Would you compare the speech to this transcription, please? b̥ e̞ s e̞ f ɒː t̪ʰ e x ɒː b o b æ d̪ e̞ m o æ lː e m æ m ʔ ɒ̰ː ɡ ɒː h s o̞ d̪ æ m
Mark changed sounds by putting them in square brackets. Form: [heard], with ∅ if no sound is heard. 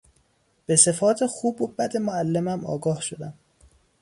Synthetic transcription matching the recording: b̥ e̞ s e̞ f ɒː t̪ʰ e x [uː] b o b æ d̪ e̞ m o æ lː e m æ m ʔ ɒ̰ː ɡ ɒː h [ʃ] o̞ d̪ æ m